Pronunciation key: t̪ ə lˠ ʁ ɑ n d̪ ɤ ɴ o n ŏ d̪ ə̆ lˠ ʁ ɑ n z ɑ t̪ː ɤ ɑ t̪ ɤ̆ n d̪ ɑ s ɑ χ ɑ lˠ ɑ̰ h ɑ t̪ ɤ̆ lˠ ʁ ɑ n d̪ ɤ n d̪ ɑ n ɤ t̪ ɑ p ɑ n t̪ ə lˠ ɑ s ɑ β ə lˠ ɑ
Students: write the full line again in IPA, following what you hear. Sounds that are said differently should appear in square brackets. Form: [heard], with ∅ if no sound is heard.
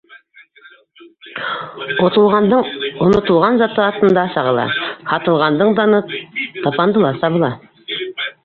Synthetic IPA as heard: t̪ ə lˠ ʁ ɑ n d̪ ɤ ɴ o n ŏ [t̪] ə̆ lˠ ʁ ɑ n z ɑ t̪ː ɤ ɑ t̪ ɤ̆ n d̪ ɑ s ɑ [ʁ] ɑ lˠ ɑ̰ h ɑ t̪ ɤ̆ lˠ ʁ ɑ n d̪ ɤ [ɴ] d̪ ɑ n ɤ t̪ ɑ p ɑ n [d̪] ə lˠ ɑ s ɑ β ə lˠ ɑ